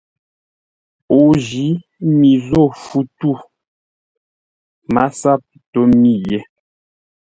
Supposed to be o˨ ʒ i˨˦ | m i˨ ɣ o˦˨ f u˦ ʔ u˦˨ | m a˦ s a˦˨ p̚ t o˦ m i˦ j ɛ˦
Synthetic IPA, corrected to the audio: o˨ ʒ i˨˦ | m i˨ z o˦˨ f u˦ t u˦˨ | m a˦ s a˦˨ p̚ t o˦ m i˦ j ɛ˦